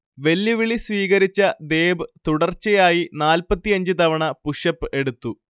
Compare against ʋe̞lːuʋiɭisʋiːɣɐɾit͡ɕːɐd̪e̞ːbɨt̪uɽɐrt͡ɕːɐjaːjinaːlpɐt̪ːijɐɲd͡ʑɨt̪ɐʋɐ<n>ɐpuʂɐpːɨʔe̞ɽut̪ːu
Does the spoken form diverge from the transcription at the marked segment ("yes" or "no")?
yes